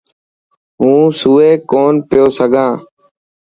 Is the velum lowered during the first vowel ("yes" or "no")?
yes